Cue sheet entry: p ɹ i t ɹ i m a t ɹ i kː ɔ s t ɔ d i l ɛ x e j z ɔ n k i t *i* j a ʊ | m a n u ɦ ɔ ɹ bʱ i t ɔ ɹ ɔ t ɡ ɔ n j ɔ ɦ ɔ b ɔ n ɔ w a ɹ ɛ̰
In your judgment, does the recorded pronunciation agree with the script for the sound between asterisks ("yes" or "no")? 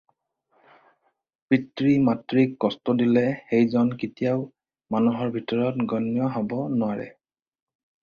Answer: yes